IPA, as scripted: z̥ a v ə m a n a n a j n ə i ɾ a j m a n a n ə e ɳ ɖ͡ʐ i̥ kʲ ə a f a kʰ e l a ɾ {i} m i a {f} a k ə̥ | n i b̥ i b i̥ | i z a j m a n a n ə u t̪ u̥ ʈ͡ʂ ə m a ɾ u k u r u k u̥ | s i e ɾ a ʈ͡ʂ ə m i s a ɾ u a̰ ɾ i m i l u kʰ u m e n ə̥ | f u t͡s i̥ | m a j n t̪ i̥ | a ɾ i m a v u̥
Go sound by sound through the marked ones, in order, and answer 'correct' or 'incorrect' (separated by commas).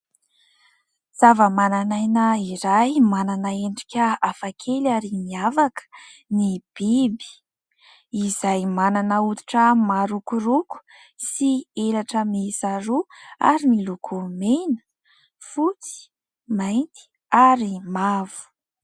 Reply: correct, incorrect